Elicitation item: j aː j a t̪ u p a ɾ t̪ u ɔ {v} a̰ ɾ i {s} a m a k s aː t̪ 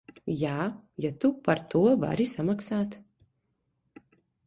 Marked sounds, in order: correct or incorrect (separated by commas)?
correct, correct